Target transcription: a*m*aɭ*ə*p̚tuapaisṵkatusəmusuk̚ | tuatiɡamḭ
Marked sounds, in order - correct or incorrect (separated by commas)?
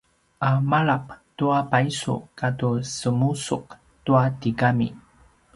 correct, incorrect